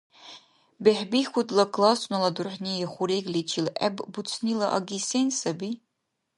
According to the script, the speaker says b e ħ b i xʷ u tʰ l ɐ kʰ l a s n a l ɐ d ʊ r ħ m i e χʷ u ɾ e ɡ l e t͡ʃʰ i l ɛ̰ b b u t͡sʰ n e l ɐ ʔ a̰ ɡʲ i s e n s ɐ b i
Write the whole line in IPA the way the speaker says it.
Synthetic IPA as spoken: b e ħ b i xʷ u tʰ l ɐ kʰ l a s n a l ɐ d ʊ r ħ n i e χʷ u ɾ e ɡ l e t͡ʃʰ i l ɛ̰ b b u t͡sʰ n i l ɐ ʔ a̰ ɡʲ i s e n s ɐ b i